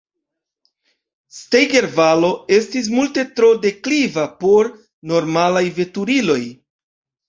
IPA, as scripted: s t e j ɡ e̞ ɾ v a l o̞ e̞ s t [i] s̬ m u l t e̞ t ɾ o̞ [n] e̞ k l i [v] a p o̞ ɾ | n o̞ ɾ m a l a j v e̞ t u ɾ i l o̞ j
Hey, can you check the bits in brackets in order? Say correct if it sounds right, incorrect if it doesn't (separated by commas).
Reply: correct, incorrect, correct